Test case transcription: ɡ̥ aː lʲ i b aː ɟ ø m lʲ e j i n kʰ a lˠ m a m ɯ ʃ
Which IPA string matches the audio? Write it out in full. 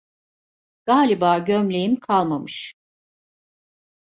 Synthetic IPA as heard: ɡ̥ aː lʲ i b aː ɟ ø m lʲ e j i m kʰ a lˠ m a m ɯ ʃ